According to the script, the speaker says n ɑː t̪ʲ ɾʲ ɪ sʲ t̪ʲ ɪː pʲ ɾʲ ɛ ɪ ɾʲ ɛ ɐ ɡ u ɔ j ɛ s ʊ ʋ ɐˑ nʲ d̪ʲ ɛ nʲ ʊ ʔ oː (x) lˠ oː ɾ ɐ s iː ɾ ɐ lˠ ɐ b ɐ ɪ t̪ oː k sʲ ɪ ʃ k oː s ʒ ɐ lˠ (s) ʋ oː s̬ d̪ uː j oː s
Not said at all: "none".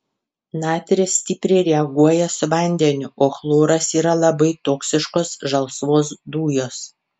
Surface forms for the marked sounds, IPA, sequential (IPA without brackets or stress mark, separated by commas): x, s